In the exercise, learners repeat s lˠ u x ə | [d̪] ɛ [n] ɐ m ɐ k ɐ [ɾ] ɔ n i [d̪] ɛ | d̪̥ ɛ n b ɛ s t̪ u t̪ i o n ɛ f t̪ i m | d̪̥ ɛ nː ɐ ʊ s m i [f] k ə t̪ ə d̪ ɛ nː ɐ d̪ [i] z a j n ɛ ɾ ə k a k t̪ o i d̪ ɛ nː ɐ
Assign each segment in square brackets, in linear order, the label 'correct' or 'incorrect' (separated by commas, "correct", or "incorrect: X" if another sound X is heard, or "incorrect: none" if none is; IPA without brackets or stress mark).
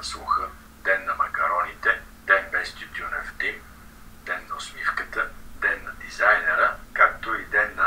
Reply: correct, incorrect: nː, correct, incorrect: t̪, correct, correct